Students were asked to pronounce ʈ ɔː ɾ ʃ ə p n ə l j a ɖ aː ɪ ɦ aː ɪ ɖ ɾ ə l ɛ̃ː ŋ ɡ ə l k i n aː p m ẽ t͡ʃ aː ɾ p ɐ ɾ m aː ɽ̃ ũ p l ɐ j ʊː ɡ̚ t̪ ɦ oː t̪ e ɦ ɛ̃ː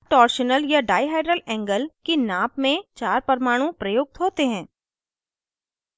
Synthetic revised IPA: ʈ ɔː ɾ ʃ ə n ə l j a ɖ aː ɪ ɦ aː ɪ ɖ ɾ ə l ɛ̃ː ŋ ɡ ə l k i n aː p m ẽ t͡ʃ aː ɾ p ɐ ɾ m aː ɽ̃ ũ p ɾ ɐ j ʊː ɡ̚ t̪ ɦ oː t̪ e ɦ ɛ̃ː